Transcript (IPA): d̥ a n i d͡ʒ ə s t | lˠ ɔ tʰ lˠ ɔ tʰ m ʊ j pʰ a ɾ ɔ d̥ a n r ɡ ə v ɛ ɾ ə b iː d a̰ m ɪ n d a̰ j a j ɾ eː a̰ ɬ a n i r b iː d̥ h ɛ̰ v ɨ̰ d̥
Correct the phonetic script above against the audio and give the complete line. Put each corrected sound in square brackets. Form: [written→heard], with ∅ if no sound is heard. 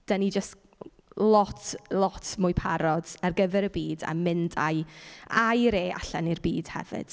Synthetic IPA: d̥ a n i d͡ʒ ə s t | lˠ ɔ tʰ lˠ ɔ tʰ m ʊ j pʰ a ɾ ɔ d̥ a [n→∅] r ɡ ə v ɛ ɾ ə b iː d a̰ m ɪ n d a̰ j a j ɾ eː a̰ ɬ a n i r b iː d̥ h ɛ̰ v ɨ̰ d̥